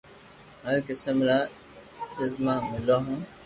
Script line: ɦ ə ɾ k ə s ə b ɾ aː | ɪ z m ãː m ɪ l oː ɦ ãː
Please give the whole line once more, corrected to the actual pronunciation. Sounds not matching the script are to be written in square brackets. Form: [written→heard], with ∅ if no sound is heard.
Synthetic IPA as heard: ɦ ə ɾ k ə s ə [b→m] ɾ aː | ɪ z m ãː m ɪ l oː ɦ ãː